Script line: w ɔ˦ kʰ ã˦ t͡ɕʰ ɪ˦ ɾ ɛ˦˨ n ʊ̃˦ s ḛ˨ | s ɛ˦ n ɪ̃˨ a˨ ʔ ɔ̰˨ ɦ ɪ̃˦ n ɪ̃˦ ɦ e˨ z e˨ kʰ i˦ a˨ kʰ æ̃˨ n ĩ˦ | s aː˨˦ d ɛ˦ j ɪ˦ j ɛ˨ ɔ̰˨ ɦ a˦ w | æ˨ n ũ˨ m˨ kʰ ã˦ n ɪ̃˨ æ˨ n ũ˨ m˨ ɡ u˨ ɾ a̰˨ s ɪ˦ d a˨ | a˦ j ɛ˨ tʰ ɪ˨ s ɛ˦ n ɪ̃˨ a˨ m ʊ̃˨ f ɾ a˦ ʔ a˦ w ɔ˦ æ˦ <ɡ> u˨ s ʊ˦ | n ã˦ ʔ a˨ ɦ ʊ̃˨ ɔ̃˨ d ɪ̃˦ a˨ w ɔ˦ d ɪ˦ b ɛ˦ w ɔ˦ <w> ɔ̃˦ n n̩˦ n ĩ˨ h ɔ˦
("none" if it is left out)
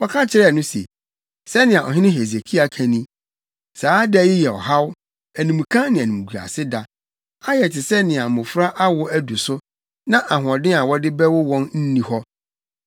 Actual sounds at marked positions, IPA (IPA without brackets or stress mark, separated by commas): d, w